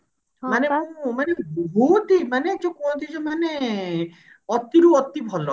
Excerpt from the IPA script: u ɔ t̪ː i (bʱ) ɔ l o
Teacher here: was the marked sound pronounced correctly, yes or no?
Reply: yes